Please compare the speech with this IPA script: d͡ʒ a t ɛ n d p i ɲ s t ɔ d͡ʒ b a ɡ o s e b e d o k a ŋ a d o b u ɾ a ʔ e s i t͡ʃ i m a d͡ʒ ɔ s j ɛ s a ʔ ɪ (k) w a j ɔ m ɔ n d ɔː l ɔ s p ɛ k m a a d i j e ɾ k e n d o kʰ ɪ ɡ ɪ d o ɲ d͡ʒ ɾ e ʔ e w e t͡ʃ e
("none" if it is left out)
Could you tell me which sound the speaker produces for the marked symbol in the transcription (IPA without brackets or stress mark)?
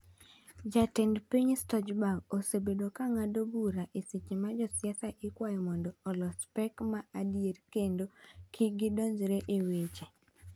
k